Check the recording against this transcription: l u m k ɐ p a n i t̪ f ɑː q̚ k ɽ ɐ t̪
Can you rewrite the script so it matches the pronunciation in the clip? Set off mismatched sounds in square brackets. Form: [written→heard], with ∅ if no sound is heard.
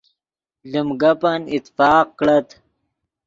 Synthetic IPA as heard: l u m [k→ɡ] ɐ p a n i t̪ f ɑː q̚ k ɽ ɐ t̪